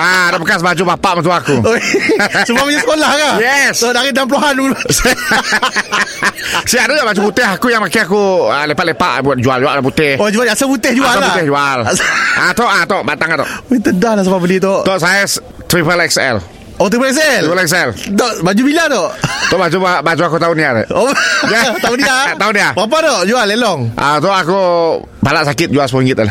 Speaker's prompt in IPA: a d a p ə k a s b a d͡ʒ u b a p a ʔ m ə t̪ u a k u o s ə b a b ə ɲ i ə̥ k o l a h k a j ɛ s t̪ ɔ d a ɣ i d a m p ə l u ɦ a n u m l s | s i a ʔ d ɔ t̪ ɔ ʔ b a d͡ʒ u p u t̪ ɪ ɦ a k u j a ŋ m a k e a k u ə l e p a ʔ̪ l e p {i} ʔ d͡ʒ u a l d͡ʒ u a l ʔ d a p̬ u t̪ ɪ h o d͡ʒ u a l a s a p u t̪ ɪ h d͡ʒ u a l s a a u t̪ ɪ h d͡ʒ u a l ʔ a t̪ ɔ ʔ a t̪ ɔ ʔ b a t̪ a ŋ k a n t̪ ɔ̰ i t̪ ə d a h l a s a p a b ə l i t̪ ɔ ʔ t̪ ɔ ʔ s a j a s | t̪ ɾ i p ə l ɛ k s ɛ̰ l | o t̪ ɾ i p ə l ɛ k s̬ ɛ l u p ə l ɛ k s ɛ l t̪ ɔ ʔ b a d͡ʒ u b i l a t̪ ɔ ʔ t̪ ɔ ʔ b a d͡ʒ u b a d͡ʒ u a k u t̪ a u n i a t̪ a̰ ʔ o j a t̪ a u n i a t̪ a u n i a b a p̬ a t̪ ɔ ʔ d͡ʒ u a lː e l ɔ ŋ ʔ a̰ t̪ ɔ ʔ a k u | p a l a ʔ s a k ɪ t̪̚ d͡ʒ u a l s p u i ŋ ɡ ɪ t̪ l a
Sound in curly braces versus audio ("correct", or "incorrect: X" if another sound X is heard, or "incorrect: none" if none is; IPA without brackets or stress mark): incorrect: a